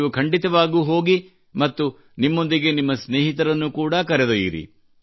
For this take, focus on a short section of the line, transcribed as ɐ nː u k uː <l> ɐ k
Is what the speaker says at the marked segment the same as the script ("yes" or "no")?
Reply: no